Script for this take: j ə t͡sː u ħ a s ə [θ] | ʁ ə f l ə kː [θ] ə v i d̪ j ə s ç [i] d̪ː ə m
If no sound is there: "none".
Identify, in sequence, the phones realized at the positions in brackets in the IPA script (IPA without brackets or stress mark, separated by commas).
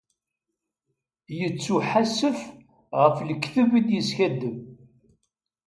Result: f, θ, æ